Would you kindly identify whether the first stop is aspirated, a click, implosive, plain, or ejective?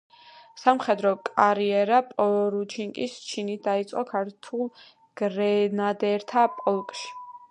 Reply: plain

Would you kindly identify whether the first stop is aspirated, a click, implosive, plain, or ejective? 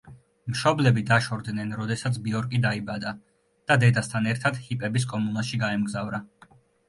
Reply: plain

